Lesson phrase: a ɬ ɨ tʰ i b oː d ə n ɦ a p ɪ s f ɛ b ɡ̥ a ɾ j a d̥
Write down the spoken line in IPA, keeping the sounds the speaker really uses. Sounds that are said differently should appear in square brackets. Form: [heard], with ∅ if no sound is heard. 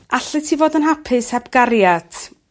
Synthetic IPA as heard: a ɬ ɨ tʰ i [v] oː d ə n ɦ a [pʰ] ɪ s [h] ɛ b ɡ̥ a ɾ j a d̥